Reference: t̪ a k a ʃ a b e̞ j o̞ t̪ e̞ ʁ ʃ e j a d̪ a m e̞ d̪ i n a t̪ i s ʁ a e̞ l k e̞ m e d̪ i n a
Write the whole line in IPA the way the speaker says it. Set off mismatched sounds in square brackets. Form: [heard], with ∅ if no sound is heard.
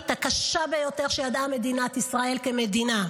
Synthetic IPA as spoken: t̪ a k a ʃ a b e̞ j o̞ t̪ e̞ ʁ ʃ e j a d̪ a m e̞ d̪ i n a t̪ i s ʁ a e̞ l k e̞ m e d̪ i n a